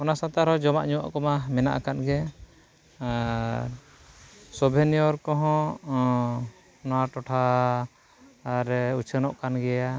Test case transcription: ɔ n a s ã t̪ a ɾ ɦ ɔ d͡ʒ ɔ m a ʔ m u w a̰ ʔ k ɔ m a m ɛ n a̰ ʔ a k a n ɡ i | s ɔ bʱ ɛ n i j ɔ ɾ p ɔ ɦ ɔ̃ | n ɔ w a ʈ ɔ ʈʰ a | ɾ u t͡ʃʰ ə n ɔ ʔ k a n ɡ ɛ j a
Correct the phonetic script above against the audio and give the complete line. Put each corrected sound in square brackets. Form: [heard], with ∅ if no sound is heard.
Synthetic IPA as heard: ɔ n a s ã t̪ a ɾ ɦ ɔ d͡ʒ ɔ m a ʔ [ɲ] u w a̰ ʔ k ɔ m a m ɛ n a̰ ʔ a k a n ɡ [ɛ] | s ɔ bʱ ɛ n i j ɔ ɾ [k] ɔ ɦ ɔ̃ | n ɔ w a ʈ ɔ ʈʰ a | ɾ u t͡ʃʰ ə n ɔ ʔ k a n ɡ ɛ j a

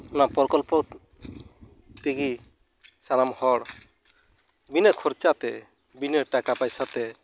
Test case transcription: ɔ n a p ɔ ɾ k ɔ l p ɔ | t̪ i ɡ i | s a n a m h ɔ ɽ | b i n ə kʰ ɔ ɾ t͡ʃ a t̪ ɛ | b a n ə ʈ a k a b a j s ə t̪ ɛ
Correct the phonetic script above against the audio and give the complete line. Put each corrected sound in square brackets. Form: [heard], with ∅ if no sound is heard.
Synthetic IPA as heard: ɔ n a p ɔ ɾ k ɔ l p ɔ | t̪ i ɡ i | s a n a m h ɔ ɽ | b i n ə kʰ ɔ ɾ t͡ʃ a t̪ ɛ | b [i] n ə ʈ a k a [p] a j s [a] t̪ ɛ

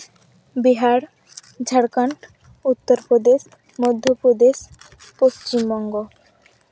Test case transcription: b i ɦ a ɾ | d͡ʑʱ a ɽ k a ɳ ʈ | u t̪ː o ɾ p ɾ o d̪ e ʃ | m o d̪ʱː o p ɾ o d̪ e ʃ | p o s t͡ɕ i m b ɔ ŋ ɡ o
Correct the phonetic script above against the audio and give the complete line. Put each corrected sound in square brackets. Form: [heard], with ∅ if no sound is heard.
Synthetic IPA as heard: b i ɦ a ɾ | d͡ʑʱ a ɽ k a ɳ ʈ | u t̪ː o ɾ p ɾ o d̪ e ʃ | m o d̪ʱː o p ɾ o d̪ e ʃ | p o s t͡ɕ i m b ɔ ŋ ɡ o

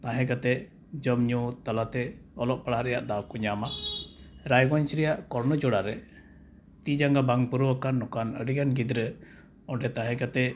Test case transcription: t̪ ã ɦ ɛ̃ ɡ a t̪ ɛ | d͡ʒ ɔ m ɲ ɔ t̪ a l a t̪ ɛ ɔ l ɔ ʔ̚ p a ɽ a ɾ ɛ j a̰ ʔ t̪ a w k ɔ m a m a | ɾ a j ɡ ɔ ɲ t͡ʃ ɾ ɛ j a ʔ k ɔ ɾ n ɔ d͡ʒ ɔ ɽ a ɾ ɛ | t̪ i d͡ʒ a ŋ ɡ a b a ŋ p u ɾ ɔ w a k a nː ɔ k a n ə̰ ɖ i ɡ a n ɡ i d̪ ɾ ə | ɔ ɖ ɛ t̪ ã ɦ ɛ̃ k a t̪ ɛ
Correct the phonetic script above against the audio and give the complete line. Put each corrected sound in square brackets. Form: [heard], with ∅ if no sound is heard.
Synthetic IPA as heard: t̪ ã ɦ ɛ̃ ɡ a t̪ ɛ | d͡ʒ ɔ m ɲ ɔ t̪ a l a t̪ ɛ ɔ l ɔ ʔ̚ p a ɽ a ɾ ɛ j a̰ ʔ [d̪] a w k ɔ [ɲ] a m a | ɾ a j ɡ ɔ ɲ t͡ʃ ɾ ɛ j a ʔ k ɔ ɾ n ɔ d͡ʒ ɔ ɽ a ɾ ɛ | t̪ i d͡ʒ a ŋ ɡ a b a ŋ p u ɾ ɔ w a k a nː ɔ k a n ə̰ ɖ i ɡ a n ɡ i d̪ ɾ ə | ɔ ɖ ɛ t̪ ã ɦ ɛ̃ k a t̪ ɛ

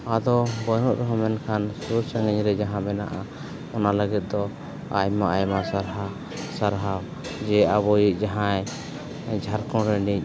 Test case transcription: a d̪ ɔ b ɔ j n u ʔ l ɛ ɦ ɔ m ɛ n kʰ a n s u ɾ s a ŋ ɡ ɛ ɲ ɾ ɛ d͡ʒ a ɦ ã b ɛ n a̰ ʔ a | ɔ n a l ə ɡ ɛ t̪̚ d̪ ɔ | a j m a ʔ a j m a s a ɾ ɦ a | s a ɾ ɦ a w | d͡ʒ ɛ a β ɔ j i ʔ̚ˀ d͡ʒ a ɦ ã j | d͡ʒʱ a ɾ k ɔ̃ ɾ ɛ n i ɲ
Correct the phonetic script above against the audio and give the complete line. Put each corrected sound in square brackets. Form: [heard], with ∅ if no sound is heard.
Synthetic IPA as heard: a d̪ ɔ b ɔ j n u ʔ [ɾ] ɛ ɦ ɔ m ɛ n kʰ a n s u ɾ s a ŋ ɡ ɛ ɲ ɾ ɛ d͡ʒ a ɦ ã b ɛ n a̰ ʔ a | ɔ n a l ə ɡ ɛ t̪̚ d̪ ɔ | a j m a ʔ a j m a s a ɾ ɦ a | s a ɾ ɦ a w | d͡ʒ ɛ a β ɔ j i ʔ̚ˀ d͡ʒ a ɦ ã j | d͡ʒʱ a ɾ k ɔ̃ ɾ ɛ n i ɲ

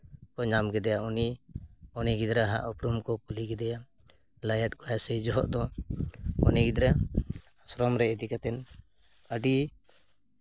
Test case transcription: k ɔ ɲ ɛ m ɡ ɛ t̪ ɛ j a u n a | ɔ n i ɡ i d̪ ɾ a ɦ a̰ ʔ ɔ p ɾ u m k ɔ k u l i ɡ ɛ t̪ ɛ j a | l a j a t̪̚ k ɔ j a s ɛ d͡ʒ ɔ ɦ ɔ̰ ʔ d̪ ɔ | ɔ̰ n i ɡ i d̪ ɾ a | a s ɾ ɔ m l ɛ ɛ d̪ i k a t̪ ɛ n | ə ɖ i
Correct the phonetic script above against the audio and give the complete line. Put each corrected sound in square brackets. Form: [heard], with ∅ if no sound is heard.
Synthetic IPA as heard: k ɔ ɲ [a] m ɡ ɛ [d̪] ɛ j a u n [i] | ɔ n i ɡ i d̪ ɾ a ɦ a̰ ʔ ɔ p ɾ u m k ɔ k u l i ɡ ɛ [d̪] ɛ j a | l a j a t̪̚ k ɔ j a s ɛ d͡ʒ ɔ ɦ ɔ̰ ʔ d̪ ɔ | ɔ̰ n i ɡ i d̪ ɾ a | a s ɾ ɔ m [ɾ] ɛ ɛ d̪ i k a t̪ ɛ n | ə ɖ i

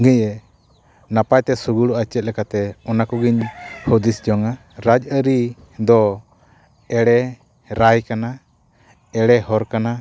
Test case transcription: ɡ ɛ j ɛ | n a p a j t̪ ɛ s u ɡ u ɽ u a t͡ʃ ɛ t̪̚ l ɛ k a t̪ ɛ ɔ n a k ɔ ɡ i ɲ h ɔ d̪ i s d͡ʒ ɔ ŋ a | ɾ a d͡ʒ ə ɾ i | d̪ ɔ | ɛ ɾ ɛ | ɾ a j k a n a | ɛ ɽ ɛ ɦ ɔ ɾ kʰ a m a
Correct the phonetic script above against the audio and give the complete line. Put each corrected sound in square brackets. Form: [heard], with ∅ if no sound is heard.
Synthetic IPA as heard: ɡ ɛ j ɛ | n a p a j t̪ ɛ s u ɡ u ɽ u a t͡ʃ ɛ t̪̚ l ɛ k a t̪ ɛ ɔ n a k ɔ ɡ i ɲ h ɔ d̪ i s d͡ʒ ɔ ŋ a | ɾ a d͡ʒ ə ɾ i | d̪ ɔ | ɛ [ɽ] ɛ | ɾ a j k a n a | ɛ ɽ ɛ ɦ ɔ ɾ [k] a [n] a

